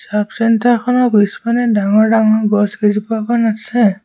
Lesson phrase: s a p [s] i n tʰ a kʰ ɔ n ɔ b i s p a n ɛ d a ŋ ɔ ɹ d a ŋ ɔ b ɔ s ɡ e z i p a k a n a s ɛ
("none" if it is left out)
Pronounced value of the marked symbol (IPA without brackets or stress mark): s